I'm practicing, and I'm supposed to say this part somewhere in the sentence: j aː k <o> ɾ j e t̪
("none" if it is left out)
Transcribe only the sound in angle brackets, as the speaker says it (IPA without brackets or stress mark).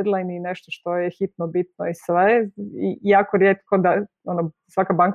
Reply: o